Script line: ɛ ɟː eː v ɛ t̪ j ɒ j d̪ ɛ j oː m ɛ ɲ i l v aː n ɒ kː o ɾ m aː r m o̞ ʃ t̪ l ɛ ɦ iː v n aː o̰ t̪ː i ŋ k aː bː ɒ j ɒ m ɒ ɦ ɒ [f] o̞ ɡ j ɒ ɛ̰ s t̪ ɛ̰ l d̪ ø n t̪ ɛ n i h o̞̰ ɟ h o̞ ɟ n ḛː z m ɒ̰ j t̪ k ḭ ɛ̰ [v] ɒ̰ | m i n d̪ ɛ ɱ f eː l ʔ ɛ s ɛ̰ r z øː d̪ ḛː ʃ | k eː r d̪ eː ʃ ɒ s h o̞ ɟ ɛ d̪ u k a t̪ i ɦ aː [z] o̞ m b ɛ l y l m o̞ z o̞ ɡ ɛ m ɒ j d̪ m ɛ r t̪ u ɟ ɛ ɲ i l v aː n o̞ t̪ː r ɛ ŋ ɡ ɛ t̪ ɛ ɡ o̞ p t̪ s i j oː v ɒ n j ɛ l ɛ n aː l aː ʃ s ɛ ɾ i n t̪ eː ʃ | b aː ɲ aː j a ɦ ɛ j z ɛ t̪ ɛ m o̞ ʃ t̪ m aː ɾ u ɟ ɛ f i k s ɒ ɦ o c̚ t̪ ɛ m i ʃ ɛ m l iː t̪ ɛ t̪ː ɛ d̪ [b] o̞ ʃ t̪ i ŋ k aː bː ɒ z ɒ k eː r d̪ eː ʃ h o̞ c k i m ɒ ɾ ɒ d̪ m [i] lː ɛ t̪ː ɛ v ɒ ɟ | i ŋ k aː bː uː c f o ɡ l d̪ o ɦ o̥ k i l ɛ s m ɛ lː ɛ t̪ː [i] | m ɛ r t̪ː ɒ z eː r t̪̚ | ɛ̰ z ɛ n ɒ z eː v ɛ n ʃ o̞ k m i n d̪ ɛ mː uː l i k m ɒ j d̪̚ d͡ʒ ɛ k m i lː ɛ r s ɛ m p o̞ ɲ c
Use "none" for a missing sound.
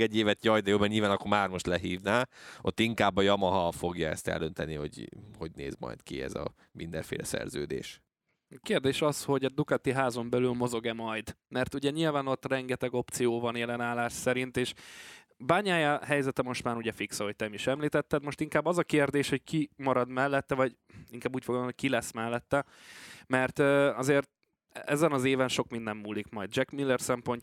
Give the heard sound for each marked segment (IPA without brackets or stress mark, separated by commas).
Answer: f, z, z, m, ɛ, ɛ